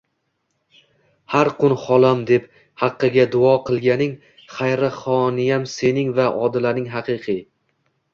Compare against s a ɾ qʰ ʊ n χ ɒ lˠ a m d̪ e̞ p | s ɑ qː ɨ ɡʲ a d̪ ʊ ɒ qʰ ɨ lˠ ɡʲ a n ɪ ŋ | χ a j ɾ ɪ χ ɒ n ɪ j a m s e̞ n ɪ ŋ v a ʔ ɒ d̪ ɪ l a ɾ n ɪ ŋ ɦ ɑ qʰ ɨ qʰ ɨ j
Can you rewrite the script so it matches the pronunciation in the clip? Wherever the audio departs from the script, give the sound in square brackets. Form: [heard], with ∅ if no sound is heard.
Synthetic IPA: [h] a ɾ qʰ ʊ n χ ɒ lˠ a m d̪ e̞ p | [h] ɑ qː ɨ ɡʲ a d̪ ʊ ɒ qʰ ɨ lˠ ɡʲ a n ɪ ŋ | χ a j ɾ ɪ χ ɒ n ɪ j a m s e̞ n ɪ ŋ v a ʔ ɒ d̪ ɪ l a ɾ n ɪ ŋ ɦ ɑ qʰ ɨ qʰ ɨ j